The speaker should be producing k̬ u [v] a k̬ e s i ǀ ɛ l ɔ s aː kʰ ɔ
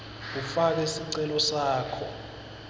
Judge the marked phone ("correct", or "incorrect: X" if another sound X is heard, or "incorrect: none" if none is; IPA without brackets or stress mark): incorrect: f